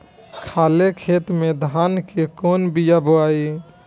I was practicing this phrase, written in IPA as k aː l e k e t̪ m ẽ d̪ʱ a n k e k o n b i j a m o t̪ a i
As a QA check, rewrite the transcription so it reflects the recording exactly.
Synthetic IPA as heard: kʰ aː l e kʰ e t̪ m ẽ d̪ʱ a n k e k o n b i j a b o a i